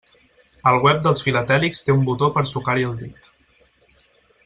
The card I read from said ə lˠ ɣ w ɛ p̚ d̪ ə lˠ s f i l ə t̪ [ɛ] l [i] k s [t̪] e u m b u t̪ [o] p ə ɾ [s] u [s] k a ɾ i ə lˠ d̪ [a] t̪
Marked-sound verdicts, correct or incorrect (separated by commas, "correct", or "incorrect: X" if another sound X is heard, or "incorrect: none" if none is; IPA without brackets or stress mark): correct, correct, correct, correct, correct, incorrect: none, incorrect: i